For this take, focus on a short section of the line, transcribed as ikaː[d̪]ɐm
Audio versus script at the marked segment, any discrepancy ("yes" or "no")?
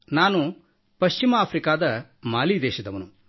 no